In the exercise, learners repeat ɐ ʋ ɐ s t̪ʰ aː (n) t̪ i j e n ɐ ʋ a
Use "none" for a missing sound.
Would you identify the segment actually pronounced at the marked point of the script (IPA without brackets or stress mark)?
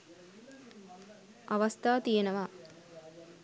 none